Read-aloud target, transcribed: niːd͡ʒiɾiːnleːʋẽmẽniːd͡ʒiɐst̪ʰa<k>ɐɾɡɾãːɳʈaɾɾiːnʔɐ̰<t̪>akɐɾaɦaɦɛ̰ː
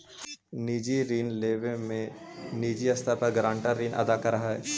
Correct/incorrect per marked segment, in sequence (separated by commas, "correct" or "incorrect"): incorrect, incorrect